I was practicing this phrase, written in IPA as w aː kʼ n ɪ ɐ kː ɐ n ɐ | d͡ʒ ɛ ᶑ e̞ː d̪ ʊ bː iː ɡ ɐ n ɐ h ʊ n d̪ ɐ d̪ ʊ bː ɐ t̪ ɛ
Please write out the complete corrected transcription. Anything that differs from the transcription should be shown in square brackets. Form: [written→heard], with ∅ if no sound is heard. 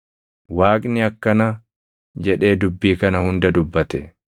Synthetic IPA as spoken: w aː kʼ n ɪ ɐ kː ɐ n ɐ | d͡ʒ ɛ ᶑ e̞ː d̪ ʊ bː iː [ɡ→k] ɐ n ɐ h ʊ n d̪ ɐ d̪ ʊ bː ɐ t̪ ɛ